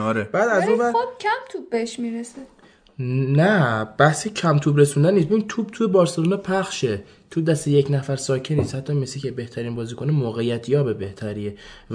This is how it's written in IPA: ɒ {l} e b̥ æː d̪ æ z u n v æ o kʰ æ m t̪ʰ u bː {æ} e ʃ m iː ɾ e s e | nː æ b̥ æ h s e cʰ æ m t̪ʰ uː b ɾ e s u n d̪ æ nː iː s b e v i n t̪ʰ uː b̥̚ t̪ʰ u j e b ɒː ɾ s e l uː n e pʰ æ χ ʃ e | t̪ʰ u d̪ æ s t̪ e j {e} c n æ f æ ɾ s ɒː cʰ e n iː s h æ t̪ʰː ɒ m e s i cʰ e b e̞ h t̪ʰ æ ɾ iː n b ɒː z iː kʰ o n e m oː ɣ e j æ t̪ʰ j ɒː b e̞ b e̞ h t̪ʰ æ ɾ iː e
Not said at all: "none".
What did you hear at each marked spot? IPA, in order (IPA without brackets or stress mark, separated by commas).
ɾ, e, e